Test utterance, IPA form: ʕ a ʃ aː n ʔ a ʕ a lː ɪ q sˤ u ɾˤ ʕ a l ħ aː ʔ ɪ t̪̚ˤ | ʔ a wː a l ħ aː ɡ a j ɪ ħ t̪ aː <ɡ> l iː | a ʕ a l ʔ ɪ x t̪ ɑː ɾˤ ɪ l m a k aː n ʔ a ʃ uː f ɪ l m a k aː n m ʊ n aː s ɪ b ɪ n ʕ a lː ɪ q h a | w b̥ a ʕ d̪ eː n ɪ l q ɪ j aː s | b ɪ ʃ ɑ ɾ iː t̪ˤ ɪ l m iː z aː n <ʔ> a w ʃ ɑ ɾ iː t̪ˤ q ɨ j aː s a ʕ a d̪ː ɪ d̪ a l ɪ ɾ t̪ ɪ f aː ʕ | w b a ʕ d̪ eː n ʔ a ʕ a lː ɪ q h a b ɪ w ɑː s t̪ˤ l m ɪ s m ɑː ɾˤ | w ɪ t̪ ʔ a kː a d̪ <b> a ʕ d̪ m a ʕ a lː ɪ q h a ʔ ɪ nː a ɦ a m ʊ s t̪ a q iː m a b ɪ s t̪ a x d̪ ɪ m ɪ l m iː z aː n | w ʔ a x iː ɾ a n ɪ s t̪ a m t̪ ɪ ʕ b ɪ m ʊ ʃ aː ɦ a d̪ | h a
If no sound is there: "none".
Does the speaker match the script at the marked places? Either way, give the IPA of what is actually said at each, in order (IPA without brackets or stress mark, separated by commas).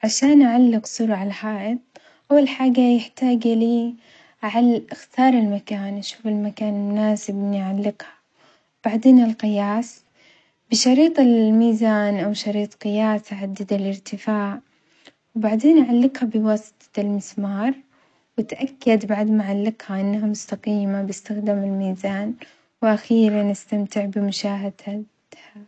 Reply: ɡ, ʔ, b